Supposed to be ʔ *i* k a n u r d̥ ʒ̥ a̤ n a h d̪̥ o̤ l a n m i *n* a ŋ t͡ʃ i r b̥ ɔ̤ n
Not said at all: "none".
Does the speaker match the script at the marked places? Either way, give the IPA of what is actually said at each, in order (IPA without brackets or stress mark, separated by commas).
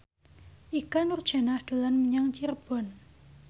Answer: i, ɲ